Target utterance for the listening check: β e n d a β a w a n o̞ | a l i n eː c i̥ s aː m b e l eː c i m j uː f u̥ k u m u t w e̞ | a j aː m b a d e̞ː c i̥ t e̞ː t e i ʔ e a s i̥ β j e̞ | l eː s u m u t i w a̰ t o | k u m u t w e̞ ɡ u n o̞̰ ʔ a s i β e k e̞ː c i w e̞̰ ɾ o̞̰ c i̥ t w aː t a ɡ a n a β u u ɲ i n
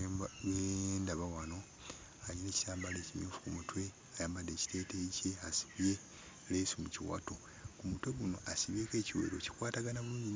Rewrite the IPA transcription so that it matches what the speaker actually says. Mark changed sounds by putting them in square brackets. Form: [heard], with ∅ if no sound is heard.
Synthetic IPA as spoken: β e n d a β a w a n o̞ | a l i n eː c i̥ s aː m b [a] l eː c i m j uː f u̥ k u m u t w e̞ | a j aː m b a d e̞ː c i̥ t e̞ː t e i [c] e a s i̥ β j e̞ | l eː s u m u [c] i w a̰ t o | k u m u t w e̞ ɡ u n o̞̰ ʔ a s i β e k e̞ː c i w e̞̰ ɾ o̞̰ c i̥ [k] w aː t a ɡ a n a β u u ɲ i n

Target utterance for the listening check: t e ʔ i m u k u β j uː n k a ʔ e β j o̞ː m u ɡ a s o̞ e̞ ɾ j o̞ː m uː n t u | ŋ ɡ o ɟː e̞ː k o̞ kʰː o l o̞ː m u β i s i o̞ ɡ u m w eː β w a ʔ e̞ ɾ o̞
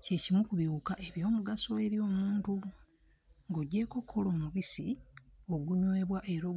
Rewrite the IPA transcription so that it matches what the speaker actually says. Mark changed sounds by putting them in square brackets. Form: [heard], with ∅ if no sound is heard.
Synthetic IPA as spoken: [c] e [c] i m u k u β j uː [∅] k a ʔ e β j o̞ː m u ɡ a s o̞ e̞ ɾ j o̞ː m uː n t u | ŋ ɡ o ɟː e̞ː k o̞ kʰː o l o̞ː m u β i s i o̞ ɡ u [ɲ] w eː β w a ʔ e̞ ɾ o̞

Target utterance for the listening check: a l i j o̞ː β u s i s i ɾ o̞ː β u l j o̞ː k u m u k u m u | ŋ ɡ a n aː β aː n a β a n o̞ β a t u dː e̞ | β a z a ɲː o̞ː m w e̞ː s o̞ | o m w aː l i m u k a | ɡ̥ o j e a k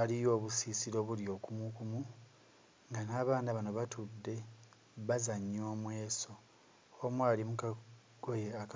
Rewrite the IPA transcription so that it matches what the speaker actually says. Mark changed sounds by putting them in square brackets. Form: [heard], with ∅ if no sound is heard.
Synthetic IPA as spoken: a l i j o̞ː β u s i s i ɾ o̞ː β u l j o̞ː k u m u k u m u | ŋ ɡ a n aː β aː n a β a n o̞ β a t u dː e̞ | β a z a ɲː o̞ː m w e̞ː s o̞ | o m w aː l i m u k a | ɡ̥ o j e a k

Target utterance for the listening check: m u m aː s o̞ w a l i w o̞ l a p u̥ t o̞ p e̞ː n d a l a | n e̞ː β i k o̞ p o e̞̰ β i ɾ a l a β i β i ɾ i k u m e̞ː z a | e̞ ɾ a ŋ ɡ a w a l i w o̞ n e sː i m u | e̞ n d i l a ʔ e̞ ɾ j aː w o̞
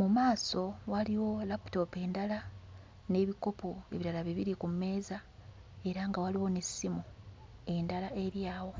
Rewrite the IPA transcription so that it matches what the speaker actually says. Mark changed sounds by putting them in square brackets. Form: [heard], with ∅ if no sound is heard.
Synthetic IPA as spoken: m u m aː s o̞ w a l i w o̞ l a p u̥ t o̞ p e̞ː n d a l a | n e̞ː β i k o̞ p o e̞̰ β i ɾ a l a β i β i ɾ i k u m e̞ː z a | e̞ ɾ a ŋ ɡ a w a l i w o̞ n e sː i m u | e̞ n d [a] l a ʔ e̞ ɾ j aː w o̞

